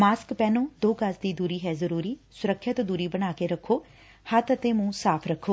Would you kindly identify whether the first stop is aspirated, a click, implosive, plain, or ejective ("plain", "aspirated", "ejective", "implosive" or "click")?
plain